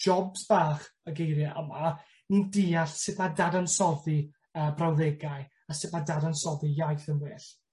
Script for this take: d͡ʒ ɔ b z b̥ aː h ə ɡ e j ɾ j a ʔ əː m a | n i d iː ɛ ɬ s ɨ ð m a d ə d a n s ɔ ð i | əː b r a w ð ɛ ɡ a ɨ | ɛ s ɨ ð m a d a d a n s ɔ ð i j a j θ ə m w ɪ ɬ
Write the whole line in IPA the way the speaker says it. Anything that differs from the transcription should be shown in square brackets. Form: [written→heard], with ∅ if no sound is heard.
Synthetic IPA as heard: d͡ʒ ɔ b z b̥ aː [h→χ] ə ɡ e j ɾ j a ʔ [əː→ə] m a | n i d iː [ɛ→a] ɬ s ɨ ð m a d [ə→a] d a n s ɔ ð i | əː b r a w ð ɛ ɡ a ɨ | [ɛ→a] s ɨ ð m a d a d a n s ɔ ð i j a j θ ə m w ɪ ɬ